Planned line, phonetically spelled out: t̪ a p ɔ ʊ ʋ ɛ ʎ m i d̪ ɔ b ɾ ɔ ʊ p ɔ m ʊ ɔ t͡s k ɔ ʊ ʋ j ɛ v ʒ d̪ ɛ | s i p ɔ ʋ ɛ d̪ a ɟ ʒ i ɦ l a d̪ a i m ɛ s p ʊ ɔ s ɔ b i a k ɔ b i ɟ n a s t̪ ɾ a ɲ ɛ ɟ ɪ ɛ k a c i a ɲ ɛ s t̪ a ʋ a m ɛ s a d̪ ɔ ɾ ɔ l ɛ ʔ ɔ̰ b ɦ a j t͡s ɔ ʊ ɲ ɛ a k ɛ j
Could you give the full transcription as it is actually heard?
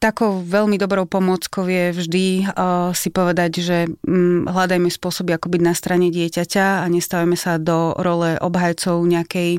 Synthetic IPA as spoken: t̪ a k ɔ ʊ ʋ ɛ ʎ m i d̪ ɔ b ɾ ɔ ʊ p ɔ m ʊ ɔ t͡s k ɔ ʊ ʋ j ɛ v ʒ d̪ i | s i p ɔ ʋ ɛ d̪ a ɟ ʒ ɛ ɦ l a d̪ a j m ɛ s p ʊ ɔ s ɔ b i a k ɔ b i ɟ n a s t̪ ɾ a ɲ ɛ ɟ ɪ ɛ c a c a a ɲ ɛ s t̪ a ʋ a m ɛ s a d̪ ɔ ɾ ɔ l ɛ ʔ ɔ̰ b ɦ a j t͡s ɔ ʊ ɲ ɛ a k ɛ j